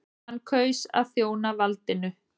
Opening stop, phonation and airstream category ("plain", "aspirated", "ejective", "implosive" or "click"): aspirated